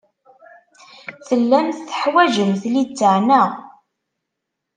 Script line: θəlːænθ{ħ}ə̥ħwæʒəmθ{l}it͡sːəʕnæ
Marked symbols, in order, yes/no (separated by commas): no, yes